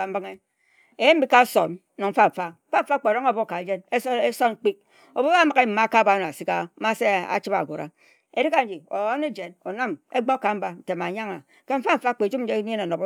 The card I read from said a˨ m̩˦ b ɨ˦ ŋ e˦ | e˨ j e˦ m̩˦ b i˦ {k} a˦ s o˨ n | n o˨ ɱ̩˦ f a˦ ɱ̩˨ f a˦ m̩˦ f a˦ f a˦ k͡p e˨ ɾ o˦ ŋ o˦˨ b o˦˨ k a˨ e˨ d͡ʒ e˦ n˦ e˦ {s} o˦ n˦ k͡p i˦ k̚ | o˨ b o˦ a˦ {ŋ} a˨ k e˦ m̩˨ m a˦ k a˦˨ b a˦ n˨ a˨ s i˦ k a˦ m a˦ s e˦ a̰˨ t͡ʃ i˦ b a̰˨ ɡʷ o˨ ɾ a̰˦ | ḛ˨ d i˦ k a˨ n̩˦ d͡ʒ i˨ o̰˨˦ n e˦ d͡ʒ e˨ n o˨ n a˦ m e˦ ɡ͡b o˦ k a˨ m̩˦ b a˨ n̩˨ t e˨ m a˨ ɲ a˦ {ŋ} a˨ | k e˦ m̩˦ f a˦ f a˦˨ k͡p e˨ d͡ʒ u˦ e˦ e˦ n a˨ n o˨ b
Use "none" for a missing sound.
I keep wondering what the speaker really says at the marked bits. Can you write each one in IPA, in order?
k, s, m, ŋ

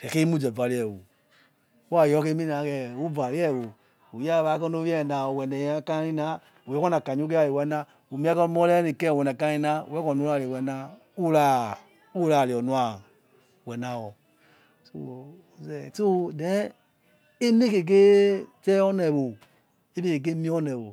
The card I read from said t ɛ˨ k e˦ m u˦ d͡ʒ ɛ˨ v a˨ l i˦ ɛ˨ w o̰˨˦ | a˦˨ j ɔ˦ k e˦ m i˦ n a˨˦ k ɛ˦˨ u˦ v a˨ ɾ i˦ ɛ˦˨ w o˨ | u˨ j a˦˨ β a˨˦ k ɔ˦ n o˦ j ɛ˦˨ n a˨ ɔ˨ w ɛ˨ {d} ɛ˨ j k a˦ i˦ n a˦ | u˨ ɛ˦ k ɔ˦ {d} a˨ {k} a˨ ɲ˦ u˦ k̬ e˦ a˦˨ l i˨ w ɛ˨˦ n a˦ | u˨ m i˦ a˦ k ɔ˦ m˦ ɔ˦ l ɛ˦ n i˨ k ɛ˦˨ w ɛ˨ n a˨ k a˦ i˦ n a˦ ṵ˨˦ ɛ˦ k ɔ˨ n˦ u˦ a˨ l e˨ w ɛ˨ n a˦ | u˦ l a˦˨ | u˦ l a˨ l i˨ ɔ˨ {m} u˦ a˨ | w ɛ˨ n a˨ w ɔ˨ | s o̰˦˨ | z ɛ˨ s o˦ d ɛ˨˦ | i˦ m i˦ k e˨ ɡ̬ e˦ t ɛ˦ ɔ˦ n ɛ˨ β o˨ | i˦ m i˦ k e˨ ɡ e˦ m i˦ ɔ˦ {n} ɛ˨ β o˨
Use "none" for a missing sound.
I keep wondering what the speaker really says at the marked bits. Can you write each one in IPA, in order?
n, n, k, n, n

